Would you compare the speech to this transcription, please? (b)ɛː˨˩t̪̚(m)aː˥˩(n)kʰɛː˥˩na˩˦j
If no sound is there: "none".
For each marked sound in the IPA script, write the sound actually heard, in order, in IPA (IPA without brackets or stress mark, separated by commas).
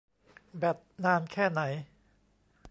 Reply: b, n, n